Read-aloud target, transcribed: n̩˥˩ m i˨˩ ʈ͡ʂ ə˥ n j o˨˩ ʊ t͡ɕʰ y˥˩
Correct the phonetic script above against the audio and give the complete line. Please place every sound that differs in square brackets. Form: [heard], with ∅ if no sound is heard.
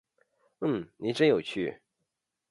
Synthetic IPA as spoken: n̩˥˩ [n] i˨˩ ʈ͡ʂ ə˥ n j o˨˩ ʊ t͡ɕʰ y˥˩